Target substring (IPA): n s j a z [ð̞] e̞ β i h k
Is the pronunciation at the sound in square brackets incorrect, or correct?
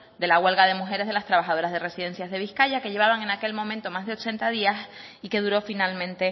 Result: correct